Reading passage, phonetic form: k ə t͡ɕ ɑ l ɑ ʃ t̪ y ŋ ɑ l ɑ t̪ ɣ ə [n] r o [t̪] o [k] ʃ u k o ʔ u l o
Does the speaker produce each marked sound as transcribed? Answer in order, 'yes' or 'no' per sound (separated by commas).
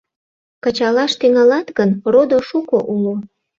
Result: yes, no, no